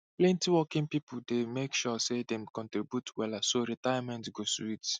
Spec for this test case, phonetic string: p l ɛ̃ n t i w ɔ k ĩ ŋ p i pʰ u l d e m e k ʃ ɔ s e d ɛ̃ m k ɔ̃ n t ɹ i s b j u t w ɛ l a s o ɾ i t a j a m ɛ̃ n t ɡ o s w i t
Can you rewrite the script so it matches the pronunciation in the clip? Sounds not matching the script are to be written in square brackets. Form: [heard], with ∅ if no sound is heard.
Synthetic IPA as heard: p l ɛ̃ n t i w ɔ k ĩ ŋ p i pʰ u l d e m e k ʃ ɔ s e d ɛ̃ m k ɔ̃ n t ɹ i [∅] b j u t w ɛ l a s o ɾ i t a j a m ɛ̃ n t ɡ o s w i t